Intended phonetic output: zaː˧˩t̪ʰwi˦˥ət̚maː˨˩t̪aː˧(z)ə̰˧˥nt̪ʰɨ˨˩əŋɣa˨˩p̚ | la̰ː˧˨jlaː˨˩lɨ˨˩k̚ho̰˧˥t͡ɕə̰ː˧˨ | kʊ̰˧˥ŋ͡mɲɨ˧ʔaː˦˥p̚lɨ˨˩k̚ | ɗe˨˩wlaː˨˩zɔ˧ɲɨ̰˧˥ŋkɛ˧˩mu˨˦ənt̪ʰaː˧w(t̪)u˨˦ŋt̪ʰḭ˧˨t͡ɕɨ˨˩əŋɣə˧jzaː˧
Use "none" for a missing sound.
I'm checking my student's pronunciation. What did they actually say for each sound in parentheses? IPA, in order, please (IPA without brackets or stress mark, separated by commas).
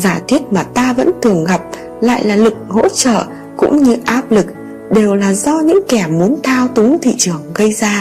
v, t̪